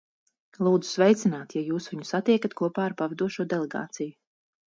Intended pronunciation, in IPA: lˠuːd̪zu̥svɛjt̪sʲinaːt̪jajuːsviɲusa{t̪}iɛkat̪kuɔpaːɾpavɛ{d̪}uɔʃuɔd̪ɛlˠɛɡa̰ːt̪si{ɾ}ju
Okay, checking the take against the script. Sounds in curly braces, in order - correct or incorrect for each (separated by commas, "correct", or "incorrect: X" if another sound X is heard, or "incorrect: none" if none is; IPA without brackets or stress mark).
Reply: correct, correct, incorrect: none